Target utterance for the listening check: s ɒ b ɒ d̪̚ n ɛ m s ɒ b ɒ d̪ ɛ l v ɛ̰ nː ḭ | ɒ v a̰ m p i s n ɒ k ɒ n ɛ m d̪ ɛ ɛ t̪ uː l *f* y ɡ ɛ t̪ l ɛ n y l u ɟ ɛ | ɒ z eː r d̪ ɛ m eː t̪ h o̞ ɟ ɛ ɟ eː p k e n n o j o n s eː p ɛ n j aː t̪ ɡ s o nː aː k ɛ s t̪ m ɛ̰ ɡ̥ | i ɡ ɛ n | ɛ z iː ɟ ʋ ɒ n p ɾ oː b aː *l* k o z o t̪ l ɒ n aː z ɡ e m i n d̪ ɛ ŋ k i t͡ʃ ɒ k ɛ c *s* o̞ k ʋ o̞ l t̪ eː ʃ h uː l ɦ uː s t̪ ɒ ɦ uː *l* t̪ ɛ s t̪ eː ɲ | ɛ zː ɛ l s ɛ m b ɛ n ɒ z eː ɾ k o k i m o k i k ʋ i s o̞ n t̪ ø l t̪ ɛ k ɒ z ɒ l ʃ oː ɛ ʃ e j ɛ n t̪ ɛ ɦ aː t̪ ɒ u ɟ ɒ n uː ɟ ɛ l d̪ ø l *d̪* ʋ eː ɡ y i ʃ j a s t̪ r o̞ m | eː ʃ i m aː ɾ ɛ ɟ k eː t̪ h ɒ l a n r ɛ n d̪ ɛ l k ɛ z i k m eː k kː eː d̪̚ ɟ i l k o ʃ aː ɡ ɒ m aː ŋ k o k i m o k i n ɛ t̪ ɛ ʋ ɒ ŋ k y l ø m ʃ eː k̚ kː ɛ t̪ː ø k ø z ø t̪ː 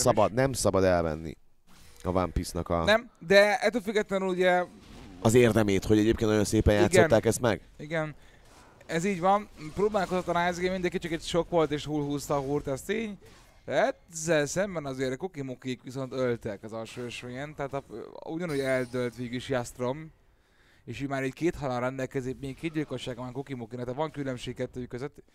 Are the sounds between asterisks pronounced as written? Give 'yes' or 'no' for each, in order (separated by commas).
yes, yes, no, no, no